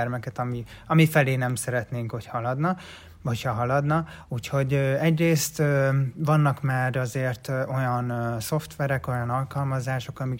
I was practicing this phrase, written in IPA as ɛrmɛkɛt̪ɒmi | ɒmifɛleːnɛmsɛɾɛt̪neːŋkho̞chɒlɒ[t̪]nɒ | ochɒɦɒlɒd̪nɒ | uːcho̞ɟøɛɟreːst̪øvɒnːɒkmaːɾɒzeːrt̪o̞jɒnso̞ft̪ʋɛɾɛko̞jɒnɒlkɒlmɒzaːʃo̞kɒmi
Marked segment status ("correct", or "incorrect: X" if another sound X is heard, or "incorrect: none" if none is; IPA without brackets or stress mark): incorrect: d̪